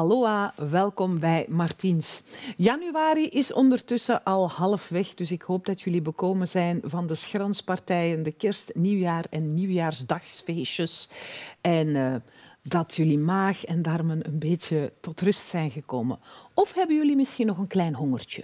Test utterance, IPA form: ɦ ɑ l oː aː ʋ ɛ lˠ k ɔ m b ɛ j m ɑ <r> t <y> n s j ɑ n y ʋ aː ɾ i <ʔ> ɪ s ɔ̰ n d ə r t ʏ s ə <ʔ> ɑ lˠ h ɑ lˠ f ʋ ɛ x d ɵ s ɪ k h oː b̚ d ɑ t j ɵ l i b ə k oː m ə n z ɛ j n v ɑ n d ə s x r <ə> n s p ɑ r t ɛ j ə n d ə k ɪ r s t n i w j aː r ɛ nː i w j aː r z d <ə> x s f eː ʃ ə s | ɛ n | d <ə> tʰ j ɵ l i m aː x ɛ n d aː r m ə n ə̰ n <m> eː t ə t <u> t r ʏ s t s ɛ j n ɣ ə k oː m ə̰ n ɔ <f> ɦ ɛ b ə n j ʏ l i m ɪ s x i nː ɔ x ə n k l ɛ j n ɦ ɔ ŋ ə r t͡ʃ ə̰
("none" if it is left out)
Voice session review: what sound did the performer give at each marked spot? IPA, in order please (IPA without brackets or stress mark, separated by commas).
r, i, ʔ, ʔ, ɑ, ɑ, ɑ, b, ɔ, f